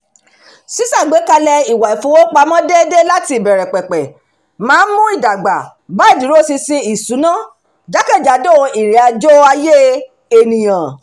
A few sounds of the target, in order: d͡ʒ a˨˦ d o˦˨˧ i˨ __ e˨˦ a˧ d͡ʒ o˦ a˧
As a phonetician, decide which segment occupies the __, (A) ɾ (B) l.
A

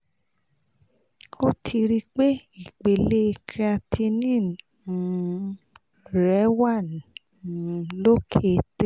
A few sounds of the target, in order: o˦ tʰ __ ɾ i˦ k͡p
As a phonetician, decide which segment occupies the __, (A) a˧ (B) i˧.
B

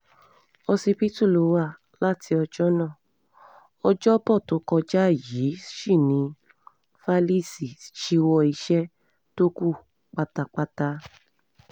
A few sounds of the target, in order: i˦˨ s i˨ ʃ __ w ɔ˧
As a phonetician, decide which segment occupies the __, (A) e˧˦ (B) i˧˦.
B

